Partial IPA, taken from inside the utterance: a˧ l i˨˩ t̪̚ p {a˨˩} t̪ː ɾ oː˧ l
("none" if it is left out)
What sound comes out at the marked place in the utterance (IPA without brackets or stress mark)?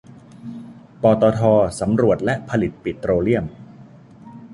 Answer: i˨˩